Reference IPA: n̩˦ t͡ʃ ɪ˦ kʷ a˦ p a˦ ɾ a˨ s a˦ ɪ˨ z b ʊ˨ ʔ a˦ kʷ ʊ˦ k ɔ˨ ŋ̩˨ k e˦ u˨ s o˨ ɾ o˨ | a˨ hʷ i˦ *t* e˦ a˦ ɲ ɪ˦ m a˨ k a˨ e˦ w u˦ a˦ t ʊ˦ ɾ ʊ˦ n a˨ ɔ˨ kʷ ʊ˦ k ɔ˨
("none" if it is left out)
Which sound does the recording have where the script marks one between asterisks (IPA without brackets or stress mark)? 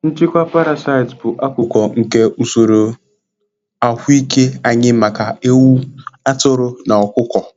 k